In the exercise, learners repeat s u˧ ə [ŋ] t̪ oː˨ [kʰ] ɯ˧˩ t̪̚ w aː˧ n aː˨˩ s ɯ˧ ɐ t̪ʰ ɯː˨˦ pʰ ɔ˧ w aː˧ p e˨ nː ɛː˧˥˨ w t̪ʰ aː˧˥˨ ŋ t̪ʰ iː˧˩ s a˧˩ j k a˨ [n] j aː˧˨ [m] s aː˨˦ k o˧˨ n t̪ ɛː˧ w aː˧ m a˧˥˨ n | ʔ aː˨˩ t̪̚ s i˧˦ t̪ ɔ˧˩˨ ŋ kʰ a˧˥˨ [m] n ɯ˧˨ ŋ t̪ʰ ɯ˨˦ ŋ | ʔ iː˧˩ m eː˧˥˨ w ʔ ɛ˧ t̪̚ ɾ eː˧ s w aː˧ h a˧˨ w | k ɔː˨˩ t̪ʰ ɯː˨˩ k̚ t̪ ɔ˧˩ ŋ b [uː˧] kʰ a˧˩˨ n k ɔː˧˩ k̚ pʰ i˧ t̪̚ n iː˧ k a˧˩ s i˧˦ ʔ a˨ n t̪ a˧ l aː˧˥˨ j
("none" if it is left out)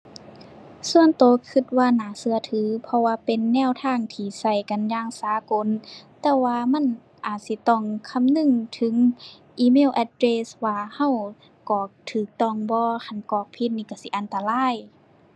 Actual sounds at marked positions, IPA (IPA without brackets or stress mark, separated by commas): n, kʰ, n, ŋ, m, ɔː˧